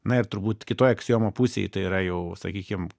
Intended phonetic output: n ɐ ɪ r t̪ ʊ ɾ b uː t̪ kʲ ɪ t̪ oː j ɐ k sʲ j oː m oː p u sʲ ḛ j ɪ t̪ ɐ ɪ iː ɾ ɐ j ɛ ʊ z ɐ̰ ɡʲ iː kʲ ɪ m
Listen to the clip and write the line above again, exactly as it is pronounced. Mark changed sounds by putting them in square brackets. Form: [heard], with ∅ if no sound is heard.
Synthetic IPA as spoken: n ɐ ɪ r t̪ ʊ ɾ b uː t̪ kʲ ɪ t̪ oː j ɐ k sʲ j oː m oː p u sʲ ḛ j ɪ t̪ ɐ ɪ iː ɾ ɐ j ɛ ʊ [s] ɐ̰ [kʲ] iː kʲ ɪ m